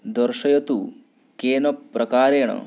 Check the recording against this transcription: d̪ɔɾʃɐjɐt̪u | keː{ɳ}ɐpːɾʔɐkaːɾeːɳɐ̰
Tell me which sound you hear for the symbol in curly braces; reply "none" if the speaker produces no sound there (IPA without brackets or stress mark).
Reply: n